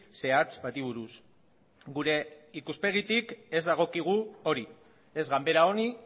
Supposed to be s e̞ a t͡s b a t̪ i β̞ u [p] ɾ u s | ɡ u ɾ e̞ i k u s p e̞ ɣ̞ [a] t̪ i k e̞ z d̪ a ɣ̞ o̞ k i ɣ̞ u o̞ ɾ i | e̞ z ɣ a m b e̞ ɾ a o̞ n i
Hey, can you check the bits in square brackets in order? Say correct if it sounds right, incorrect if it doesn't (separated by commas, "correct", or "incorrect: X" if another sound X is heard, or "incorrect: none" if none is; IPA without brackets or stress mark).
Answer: incorrect: none, incorrect: i